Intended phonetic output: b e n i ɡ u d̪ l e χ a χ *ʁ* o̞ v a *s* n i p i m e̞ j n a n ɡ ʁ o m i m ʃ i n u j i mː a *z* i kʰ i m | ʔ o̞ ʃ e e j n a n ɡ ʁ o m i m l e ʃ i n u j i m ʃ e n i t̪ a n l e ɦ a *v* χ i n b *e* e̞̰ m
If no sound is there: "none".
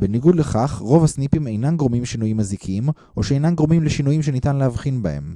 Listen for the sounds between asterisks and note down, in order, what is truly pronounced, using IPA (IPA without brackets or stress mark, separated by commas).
ʁ, s, z, v, a